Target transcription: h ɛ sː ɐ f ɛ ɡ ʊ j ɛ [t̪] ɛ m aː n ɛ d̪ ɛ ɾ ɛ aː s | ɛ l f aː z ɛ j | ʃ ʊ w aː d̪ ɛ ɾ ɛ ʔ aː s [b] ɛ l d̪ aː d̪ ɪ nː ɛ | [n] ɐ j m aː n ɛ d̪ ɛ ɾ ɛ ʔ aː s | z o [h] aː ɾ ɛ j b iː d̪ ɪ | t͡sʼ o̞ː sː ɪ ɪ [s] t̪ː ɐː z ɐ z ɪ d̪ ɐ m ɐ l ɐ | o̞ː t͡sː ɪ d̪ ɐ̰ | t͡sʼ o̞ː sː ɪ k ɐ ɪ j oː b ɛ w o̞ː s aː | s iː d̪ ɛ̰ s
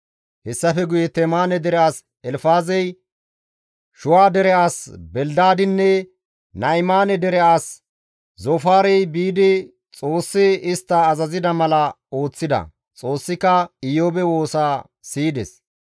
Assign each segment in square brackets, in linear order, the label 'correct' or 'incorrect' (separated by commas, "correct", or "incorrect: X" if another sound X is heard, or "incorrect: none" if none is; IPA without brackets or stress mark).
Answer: correct, correct, correct, incorrect: f, correct